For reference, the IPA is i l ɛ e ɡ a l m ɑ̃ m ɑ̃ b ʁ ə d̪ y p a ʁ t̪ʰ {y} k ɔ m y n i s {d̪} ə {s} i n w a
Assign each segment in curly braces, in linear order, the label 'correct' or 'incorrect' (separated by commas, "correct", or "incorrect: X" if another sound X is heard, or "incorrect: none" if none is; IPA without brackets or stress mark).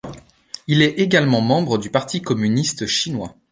incorrect: i, incorrect: t̪, incorrect: ʃ